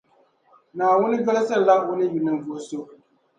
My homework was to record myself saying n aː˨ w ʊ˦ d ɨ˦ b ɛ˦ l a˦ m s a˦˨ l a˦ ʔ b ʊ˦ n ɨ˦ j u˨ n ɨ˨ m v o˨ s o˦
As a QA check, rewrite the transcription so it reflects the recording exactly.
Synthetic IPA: n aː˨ w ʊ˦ n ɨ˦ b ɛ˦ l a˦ s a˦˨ l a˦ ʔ w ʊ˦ n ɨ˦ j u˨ n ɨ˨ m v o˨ s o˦